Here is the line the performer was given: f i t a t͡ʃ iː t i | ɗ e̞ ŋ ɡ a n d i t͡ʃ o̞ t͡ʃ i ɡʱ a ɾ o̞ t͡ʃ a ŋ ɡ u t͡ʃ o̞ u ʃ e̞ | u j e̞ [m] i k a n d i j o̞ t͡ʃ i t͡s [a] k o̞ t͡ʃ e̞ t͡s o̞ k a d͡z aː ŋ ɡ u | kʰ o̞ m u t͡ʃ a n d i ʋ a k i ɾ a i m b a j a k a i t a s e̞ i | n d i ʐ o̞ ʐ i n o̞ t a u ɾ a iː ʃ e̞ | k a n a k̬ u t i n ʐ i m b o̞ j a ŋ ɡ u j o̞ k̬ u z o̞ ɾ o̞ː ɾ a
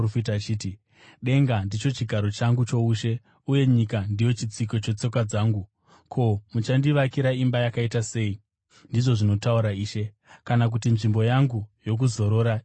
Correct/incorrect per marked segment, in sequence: incorrect: ɲ, incorrect: i

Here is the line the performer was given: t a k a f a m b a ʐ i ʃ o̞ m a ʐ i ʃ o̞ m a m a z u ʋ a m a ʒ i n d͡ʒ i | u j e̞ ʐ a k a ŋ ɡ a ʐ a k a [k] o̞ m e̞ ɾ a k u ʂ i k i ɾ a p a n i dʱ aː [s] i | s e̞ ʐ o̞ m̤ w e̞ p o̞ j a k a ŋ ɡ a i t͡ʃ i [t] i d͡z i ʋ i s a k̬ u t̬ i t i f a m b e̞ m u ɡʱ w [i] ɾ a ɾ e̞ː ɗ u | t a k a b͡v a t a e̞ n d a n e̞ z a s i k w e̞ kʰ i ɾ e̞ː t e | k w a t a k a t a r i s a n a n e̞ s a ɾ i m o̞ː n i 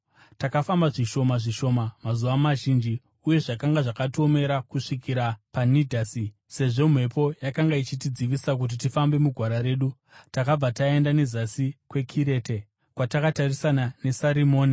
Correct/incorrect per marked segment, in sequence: incorrect: t, correct, correct, incorrect: a

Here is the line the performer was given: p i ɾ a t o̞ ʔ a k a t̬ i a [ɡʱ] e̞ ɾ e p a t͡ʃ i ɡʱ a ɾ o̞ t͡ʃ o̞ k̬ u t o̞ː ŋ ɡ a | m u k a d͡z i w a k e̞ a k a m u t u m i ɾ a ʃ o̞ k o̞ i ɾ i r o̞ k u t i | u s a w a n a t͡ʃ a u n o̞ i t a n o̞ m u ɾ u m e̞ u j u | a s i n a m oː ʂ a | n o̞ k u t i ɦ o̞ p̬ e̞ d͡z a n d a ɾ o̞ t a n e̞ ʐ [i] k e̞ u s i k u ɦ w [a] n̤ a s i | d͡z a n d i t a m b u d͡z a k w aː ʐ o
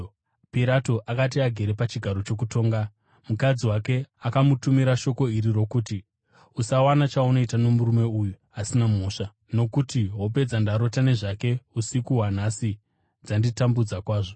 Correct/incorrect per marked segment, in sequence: correct, incorrect: a, correct

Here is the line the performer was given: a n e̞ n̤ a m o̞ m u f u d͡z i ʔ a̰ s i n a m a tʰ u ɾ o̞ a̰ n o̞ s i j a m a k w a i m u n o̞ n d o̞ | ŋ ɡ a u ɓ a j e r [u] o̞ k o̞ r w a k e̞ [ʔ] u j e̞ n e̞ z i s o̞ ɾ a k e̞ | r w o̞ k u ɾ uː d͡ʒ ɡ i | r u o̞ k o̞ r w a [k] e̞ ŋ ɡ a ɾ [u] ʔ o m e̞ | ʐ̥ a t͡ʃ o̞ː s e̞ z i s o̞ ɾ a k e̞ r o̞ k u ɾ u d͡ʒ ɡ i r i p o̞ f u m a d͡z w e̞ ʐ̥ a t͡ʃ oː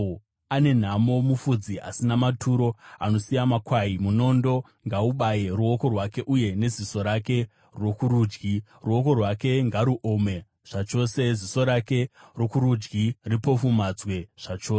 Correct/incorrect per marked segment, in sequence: correct, correct, correct, correct

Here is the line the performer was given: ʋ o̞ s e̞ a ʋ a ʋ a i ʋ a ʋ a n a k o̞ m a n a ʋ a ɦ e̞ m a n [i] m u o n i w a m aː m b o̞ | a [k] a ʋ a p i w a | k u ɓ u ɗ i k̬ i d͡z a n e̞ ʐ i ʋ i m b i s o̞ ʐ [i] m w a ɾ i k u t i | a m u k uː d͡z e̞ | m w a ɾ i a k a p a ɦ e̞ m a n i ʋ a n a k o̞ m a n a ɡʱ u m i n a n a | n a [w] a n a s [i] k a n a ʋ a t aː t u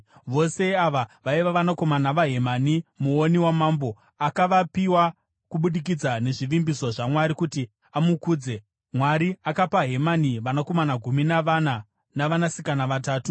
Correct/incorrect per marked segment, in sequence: correct, correct, incorrect: a, incorrect: ʋ, correct

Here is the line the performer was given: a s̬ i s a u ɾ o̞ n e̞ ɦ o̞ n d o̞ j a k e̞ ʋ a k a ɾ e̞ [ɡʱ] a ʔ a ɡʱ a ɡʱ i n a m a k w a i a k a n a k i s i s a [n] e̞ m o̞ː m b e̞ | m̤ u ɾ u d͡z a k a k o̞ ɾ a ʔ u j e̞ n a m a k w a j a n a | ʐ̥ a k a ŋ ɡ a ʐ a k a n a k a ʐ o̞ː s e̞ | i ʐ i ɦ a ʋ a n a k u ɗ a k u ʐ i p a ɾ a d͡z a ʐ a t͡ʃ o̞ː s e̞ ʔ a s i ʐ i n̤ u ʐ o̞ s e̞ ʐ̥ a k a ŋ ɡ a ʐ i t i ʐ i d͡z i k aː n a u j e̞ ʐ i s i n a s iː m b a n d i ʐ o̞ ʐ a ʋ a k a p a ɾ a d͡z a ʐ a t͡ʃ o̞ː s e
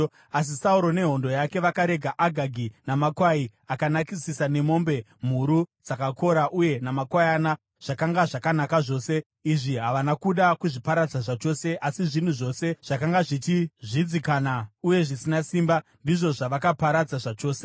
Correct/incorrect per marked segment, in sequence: correct, correct

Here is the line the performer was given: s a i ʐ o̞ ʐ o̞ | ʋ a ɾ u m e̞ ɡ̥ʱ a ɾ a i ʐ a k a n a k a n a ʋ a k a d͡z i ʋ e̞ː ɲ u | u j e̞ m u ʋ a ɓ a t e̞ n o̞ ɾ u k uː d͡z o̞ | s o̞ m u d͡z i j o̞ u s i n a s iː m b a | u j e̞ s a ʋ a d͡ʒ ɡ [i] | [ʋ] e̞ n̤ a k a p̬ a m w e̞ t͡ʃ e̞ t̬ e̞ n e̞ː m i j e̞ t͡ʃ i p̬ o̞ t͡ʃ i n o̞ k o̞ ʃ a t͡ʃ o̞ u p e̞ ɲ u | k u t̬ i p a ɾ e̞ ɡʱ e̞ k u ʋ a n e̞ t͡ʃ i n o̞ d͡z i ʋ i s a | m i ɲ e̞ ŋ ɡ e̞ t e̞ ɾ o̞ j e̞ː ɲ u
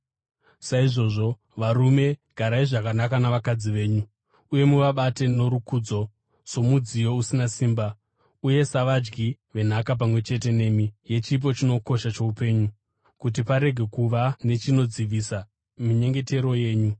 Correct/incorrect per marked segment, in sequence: correct, correct

